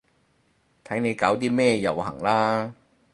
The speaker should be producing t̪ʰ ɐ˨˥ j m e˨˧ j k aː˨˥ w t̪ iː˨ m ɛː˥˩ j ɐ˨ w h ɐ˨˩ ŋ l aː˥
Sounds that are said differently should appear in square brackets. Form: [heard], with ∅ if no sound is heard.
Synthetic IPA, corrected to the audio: t̪ʰ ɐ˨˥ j [n] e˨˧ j k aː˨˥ w t̪ [iː˥] m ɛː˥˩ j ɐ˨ w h ɐ˨˩ ŋ l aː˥